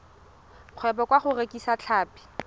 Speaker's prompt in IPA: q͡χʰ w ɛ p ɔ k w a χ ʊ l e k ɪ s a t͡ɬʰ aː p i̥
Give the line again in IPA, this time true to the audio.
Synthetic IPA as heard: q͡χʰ w ɛ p ɔ k w a χ ʊ r e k i s a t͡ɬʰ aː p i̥